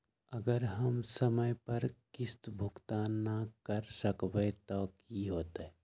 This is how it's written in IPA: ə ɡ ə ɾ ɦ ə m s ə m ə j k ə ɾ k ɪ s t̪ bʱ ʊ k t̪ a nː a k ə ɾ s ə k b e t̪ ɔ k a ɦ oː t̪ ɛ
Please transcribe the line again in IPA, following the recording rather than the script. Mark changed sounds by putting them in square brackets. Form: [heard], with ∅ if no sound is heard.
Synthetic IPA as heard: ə ɡ ə ɾ ɦ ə m s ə m ə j [p] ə ɾ k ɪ s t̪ bʱ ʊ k t̪ a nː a k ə ɾ s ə k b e t̪ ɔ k [i] ɦ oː t̪ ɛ